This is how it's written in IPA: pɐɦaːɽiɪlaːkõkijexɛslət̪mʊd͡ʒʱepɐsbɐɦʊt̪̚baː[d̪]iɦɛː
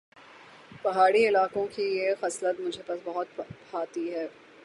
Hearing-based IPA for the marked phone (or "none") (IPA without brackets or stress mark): t̪